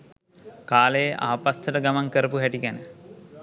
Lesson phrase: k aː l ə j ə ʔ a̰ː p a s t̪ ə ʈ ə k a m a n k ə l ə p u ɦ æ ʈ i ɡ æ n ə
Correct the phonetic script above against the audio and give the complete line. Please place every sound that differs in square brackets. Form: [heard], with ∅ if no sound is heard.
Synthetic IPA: k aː l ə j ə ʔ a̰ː p a s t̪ ə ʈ ə [ɡ] a m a [ŋ] k ə [ɾ] ə p u ɦ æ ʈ i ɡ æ n ə